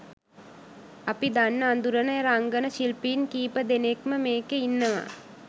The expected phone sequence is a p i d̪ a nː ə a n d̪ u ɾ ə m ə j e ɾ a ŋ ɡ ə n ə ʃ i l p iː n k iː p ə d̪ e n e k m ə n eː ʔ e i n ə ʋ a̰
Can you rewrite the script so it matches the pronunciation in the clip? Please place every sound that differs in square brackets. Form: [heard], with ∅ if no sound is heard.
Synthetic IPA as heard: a p i d̪ a nː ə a n d̪ u ɾ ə [n] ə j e ɾ a ŋ ɡ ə n ə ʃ i l p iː n k iː p ə d̪ e n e k m ə [m] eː [k] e i [nː] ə ʋ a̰